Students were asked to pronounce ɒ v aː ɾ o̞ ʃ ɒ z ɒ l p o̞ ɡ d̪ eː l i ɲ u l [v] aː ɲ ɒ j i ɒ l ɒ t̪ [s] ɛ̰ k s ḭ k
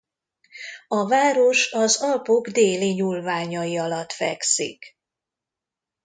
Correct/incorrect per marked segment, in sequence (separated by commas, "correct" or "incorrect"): correct, incorrect